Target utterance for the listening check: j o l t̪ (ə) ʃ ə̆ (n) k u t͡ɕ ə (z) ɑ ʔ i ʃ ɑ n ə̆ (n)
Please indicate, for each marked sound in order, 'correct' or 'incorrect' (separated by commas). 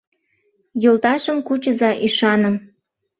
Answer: incorrect, incorrect, correct, incorrect